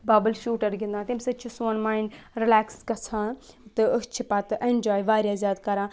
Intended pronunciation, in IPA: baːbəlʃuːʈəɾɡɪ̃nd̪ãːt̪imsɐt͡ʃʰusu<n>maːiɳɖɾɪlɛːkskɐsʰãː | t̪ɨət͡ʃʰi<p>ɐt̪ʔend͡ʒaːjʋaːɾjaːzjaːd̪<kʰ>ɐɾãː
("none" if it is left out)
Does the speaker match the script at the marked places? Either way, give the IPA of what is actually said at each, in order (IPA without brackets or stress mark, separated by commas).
n, p, k